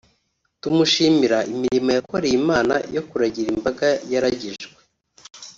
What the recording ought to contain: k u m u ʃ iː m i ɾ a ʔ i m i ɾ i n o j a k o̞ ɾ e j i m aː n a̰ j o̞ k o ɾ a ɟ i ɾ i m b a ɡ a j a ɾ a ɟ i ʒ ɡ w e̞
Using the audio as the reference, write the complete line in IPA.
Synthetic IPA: t u m u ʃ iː m i ɾ a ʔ i m i ɾ i m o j a k o̞ ɾ e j i m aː n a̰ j o̞ k u ɾ a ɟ i ɾ i m b a ɡ a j a ɾ a ɟ i ʒ ɡ w e̞